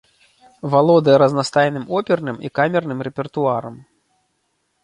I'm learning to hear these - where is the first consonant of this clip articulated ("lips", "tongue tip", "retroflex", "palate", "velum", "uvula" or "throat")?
lips